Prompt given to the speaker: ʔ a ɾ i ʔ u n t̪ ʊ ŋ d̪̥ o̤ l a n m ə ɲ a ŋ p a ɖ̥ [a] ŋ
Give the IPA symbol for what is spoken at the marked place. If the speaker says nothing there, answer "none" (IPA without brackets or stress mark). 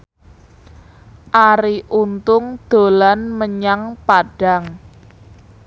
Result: a